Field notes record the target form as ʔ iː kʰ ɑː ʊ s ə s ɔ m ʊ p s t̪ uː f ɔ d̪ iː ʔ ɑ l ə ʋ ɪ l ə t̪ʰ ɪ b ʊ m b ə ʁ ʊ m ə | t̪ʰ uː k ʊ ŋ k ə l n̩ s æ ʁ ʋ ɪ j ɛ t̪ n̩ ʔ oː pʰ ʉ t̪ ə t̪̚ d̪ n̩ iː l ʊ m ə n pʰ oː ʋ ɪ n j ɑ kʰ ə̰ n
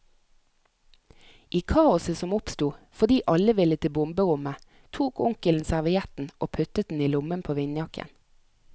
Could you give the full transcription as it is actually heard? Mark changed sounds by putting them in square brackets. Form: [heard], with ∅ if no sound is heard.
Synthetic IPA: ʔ iː kʰ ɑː ʊ s ə s ɔ m ʊ p s t̪ uː f ɔ d̪ iː ʔ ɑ l ə ʋ ɪ l ə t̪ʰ ɪ b ʊ m b ə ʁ ʊ m ə | t̪ʰ uː k ʊ ŋ k ə l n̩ s æ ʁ ʋ ɪ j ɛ t̪ n̩ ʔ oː pʰ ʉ t̪ ə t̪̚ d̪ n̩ iː l ʊ m ə n pʰ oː ʋ ɪ n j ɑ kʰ ə̰ n